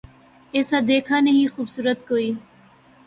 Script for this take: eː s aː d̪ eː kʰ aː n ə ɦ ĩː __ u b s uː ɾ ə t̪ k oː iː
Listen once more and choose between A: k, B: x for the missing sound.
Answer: B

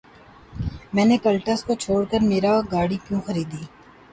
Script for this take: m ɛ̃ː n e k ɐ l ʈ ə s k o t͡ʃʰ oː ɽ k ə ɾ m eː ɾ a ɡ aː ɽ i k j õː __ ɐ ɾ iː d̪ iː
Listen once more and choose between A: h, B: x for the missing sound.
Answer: B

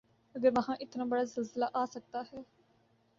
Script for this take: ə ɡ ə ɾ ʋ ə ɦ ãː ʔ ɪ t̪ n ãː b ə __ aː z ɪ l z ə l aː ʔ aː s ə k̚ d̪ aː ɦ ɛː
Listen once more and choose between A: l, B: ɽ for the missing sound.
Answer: B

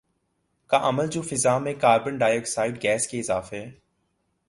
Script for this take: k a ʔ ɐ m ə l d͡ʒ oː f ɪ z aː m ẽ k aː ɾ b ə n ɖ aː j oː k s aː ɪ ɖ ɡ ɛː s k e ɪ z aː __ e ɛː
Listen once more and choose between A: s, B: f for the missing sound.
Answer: B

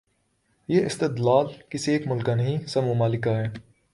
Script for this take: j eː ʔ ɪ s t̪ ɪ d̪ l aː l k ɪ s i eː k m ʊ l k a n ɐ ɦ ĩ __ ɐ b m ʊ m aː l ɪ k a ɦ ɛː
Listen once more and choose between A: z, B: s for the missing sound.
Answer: B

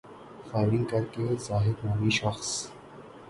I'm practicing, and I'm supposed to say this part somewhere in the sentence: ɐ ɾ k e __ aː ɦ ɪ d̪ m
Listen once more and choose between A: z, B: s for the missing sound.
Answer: A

